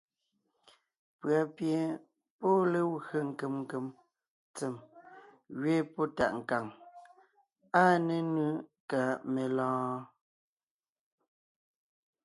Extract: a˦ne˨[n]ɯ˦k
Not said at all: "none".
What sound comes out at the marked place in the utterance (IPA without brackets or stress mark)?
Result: n